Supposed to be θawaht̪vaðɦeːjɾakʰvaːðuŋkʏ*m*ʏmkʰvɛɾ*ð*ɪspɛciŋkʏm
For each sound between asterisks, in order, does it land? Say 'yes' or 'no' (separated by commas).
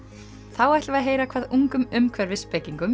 yes, no